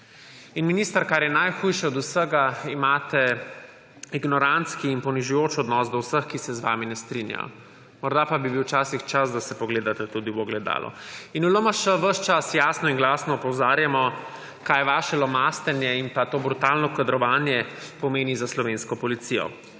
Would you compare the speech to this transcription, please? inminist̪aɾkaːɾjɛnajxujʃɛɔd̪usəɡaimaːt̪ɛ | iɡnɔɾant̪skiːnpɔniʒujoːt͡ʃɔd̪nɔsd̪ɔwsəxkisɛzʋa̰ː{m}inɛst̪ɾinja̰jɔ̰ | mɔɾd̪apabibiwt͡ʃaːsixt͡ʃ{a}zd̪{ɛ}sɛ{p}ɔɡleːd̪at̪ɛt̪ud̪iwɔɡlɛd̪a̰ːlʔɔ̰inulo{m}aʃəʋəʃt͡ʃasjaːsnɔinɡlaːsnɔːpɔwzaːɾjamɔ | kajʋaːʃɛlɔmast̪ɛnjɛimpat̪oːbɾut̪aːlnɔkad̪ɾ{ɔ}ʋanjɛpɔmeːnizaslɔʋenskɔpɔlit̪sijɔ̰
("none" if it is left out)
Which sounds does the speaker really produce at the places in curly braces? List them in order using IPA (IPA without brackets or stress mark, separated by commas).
m, a, a, p, m, ɔ